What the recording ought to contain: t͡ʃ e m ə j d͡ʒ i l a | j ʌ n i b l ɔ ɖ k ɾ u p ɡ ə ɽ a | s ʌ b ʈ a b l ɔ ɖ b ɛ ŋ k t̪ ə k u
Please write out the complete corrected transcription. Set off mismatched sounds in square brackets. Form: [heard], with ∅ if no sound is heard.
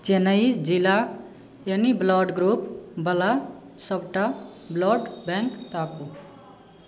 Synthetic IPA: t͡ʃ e [n] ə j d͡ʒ i l a | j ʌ n i b l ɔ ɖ [ɡ] ɾ u p [b] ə [l] a | s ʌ b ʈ a b l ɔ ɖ b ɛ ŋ k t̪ [a] k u